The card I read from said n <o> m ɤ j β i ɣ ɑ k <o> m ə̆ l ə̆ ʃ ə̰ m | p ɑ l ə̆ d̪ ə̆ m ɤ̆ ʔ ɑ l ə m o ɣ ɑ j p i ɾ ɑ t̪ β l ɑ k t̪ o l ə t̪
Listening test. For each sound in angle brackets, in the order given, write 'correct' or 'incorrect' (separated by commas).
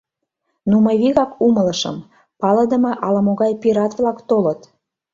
incorrect, incorrect